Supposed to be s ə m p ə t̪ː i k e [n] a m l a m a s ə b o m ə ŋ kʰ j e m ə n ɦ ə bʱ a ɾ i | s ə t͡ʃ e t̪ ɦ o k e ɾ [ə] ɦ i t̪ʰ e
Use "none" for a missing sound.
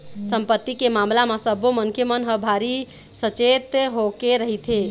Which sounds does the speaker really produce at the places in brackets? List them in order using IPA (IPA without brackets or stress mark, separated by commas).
m, ə